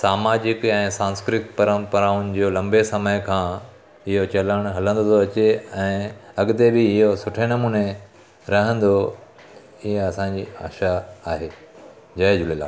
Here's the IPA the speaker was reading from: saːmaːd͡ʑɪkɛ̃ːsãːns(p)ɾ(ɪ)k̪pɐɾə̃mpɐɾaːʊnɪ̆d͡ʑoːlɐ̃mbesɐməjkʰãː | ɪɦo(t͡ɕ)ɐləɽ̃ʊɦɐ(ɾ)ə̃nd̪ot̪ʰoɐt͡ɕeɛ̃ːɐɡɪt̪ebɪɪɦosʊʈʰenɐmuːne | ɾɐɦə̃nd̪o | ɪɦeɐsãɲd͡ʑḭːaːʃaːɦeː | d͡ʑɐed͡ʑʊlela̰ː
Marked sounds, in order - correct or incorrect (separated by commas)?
incorrect, correct, correct, incorrect